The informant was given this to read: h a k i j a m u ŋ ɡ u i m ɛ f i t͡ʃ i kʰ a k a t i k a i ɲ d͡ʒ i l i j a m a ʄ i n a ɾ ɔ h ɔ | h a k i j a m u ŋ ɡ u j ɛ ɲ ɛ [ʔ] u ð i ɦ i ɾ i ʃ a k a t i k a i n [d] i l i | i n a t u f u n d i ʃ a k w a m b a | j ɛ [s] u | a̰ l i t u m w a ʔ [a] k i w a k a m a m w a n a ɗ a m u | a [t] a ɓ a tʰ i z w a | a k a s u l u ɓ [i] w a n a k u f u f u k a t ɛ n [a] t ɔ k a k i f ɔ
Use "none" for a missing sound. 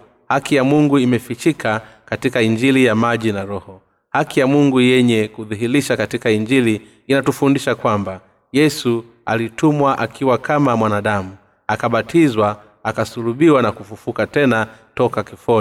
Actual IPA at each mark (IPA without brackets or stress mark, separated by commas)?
k, d͡ʒ, s, a, k, i, a